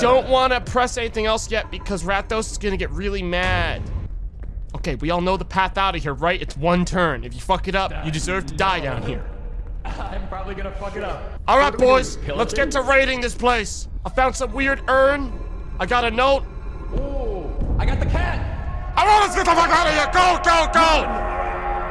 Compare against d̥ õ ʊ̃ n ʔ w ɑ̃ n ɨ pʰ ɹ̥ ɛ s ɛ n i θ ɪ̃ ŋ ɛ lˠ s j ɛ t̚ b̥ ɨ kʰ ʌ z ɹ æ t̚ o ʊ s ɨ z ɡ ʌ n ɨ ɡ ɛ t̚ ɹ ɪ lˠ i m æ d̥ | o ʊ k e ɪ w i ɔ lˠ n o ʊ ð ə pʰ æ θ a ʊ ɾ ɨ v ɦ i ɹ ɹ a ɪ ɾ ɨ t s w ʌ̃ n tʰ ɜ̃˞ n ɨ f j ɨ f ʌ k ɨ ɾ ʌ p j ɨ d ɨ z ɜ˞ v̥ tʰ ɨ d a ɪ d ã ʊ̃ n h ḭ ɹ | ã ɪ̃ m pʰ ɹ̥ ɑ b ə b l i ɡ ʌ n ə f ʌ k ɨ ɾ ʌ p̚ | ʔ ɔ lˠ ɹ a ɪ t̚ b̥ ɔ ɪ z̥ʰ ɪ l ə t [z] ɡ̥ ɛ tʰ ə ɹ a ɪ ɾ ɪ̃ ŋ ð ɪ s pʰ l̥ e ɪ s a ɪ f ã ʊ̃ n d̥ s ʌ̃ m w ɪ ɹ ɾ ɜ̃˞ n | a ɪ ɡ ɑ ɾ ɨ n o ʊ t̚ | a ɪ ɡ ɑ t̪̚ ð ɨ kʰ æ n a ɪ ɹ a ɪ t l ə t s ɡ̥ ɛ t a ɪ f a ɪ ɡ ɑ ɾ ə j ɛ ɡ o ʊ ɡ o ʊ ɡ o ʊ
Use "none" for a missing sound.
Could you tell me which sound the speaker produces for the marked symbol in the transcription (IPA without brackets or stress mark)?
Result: s